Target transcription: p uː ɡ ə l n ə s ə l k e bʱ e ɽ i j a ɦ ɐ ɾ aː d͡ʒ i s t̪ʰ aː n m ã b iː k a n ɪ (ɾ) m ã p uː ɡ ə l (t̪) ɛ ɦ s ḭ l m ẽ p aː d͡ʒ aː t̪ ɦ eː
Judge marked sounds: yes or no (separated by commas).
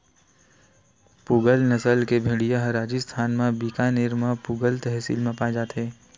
yes, yes